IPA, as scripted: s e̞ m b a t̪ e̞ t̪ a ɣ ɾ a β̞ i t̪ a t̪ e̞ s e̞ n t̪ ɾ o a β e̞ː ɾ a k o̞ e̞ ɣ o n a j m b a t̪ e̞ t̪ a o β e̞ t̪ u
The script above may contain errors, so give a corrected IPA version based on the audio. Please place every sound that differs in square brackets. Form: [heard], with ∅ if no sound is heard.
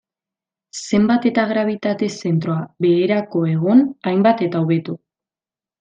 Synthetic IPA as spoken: s e̞ m b a t̪ e̞ t̪ a ɣ ɾ a β̞ i t̪ a t̪ e̞ s e̞ n t̪ ɾ o a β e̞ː ɾ a k o̞ e̞ ɣ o n a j m b a t̪ e̞ t̪ a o β e̞ t̪ u

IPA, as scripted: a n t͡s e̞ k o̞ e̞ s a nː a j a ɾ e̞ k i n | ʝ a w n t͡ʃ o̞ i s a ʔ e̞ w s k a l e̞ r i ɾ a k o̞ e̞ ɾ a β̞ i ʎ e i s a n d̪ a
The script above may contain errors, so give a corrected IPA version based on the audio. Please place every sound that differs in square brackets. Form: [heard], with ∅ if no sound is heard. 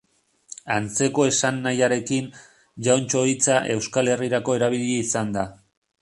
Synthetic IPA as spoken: a n t͡s e̞ k o̞ e̞ s a nː a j a ɾ e̞ k i n | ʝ a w n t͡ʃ o̞ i [t͡s] a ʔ e̞ w s k a l e̞ r i ɾ a k o̞ e̞ ɾ a β̞ i ʎ e i s a n d̪ a

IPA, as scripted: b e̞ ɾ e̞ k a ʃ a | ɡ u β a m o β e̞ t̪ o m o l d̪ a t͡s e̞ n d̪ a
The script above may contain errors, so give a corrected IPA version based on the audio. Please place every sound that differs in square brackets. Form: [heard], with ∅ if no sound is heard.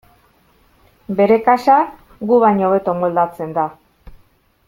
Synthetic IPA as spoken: b e̞ ɾ e̞ k a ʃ a | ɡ u β a [ɲ] o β e̞ t̪ o m o l d̪ a t͡s e̞ n d̪ a

